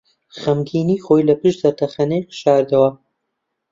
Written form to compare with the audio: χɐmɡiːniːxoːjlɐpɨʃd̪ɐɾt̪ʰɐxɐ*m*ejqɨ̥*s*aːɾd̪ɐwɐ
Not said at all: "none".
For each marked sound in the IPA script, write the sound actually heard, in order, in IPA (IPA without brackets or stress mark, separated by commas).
n, ʃ